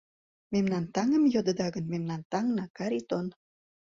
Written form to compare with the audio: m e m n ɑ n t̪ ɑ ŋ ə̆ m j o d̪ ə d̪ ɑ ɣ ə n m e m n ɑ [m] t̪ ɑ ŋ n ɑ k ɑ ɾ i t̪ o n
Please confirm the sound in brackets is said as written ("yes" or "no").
no